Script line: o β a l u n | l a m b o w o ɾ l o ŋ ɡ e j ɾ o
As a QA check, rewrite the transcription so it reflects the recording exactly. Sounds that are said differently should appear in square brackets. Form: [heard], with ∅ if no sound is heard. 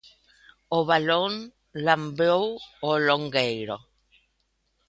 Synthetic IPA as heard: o β a l [o] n | l a m b o w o [∅] l o ŋ ɡ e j ɾ o

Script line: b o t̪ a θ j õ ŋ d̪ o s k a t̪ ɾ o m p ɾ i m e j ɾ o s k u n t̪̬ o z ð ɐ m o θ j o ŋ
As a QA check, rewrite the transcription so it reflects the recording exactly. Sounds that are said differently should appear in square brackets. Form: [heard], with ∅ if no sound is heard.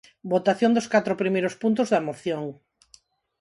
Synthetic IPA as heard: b o t̪ a θ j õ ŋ d̪ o s k a t̪ ɾ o [∅] p ɾ i m e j ɾ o s [p] u n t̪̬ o z ð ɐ m o θ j o ŋ

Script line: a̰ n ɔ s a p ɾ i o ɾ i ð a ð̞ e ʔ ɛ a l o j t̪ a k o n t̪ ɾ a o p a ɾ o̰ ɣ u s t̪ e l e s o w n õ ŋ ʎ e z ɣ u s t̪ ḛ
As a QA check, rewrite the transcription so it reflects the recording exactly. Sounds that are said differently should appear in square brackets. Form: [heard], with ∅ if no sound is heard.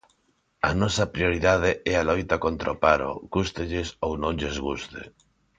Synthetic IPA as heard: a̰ n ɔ s a p ɾ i o ɾ i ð a ð̞ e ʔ ɛ a l o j t̪ a k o n t̪ ɾ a o p a ɾ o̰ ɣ u s t̪ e [ʎ] e s o w n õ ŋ ʎ e z ɣ u s t̪ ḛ

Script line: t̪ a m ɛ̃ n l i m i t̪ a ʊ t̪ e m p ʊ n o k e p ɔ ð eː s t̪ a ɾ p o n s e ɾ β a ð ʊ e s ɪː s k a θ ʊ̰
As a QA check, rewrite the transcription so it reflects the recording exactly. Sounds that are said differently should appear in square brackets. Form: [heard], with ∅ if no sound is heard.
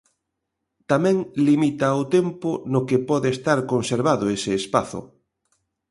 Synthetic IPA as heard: t̪ a m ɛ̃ [ŋ] l i m i t̪ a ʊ t̪ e m p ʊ n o k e p ɔ ð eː s t̪ a ɾ [k] o n s e ɾ β a ð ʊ e s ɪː s [p] a θ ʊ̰

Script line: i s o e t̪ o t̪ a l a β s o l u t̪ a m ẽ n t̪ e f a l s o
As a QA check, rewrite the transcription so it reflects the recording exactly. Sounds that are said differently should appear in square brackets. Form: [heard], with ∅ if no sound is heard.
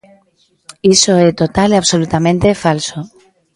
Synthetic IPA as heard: i s o e t̪ o t̪ a l a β s o l u t̪ a m ẽ n t̪ e f a l s o

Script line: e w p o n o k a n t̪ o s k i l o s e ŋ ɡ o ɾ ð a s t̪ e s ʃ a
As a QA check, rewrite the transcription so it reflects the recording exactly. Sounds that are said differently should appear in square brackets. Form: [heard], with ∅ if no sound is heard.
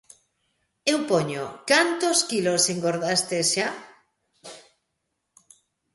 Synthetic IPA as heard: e w p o [ɲ] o k a n t̪ o s k i l o s e ŋ ɡ o ɾ ð a s t̪ e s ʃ a

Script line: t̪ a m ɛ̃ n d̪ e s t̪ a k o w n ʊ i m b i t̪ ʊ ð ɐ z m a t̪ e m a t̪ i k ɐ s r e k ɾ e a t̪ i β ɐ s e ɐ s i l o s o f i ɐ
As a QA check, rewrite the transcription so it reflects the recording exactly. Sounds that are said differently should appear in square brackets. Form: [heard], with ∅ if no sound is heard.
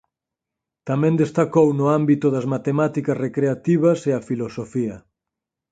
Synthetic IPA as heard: t̪ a m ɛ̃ n d̪ e s t̪ a k o w n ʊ [a] m b i t̪ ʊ ð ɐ z m a t̪ e m a t̪ i k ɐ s r e k ɾ e a t̪ i β ɐ s e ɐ [f] i l o s o f i ɐ

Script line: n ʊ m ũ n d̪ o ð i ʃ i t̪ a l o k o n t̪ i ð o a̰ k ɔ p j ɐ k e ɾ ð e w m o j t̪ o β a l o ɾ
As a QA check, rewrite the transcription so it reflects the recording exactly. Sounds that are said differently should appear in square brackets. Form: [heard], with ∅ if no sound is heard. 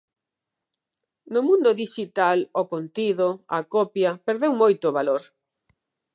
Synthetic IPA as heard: n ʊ m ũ n d̪ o ð i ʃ i t̪ a l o k o n t̪ i ð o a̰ k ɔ p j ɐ [p] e ɾ ð e w m o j t̪ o β a l o ɾ

